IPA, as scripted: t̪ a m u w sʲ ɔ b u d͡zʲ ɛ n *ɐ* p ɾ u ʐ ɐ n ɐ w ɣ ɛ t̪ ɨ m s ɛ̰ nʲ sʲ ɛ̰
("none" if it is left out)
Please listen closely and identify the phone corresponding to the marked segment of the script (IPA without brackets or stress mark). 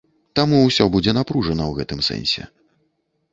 a